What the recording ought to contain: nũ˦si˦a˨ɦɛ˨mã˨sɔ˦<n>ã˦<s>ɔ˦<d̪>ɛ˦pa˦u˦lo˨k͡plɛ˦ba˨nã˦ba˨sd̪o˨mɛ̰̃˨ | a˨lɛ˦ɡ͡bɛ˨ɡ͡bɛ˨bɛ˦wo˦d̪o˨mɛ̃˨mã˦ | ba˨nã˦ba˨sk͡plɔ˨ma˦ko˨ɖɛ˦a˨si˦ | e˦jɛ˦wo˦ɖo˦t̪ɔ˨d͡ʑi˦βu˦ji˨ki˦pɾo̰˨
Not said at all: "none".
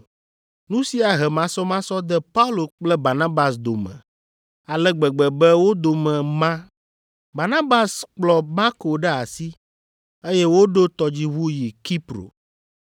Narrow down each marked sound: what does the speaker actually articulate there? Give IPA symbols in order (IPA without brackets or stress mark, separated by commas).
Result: m, s, d̪